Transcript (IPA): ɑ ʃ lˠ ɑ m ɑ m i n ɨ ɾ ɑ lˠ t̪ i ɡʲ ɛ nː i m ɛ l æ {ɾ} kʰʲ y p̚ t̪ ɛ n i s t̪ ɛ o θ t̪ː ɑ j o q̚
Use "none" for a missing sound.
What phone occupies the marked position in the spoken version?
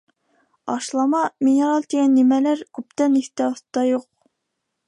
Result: ɾ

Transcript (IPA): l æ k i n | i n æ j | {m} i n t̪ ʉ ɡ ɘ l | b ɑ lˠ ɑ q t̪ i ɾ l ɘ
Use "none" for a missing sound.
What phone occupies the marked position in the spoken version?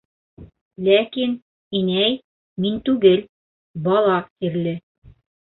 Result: m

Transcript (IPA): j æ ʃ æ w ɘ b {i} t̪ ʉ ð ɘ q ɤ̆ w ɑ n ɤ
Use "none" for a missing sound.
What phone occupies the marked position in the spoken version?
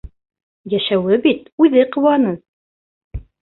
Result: i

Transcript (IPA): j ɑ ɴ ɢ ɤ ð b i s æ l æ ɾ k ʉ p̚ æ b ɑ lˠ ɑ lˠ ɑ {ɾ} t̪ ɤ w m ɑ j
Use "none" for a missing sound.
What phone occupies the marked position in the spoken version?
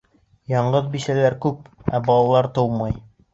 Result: ɾ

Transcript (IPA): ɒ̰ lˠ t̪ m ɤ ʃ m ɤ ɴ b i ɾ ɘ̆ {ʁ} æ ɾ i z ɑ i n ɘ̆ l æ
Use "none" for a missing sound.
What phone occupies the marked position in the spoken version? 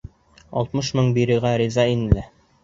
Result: ʁ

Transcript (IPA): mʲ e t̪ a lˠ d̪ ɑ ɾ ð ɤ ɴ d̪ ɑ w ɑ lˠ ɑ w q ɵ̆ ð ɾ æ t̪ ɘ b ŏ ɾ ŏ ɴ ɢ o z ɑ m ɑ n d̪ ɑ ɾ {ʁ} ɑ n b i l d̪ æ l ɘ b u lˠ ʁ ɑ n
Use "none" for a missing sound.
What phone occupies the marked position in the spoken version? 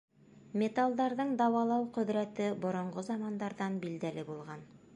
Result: ð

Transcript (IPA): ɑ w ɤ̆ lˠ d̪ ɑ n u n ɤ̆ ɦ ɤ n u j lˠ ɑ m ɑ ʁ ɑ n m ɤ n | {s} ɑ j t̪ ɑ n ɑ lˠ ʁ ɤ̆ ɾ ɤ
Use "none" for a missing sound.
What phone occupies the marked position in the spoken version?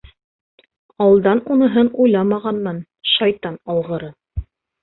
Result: ʃ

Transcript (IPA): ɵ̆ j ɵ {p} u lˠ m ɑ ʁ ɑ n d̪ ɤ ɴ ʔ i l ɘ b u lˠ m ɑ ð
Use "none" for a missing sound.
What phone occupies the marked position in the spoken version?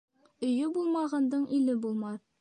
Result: b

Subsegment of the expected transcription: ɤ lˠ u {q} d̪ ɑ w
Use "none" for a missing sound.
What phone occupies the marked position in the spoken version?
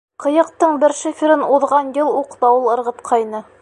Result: q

